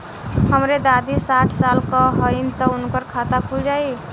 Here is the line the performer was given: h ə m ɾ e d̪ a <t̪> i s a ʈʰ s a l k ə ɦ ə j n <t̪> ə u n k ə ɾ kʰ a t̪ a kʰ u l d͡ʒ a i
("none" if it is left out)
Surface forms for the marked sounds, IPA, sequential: d̪, t̪

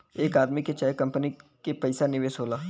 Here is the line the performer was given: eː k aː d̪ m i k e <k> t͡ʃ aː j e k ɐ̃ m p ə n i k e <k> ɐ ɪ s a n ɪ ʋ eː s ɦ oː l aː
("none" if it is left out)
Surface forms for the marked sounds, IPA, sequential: none, p

